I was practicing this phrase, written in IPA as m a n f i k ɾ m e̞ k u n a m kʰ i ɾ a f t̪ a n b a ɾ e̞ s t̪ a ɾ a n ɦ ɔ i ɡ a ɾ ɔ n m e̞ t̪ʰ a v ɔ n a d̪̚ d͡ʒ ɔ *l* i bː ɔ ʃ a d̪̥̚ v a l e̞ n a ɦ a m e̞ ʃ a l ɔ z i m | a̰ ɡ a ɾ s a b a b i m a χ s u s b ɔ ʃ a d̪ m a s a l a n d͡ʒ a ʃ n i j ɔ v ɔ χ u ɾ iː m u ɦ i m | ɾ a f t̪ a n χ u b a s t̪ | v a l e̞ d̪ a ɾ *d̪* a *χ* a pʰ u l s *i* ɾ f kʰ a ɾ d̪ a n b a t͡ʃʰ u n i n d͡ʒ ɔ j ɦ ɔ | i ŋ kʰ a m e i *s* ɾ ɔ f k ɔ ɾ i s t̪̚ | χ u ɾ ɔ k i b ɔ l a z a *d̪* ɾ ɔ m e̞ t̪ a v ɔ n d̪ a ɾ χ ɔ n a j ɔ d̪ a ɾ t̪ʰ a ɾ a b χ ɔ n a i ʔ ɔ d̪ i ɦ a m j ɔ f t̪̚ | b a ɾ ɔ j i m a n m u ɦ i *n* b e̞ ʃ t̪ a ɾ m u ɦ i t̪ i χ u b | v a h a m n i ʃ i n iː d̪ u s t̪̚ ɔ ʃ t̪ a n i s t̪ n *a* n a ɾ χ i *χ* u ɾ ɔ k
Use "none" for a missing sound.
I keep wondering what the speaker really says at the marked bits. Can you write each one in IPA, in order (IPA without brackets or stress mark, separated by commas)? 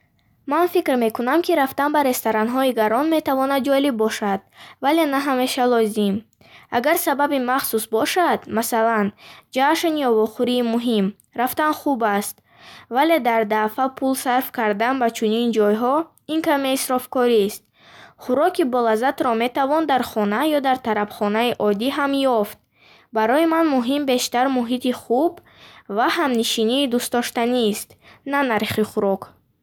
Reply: l, d̪, f, a, s, t̪, m, a, χ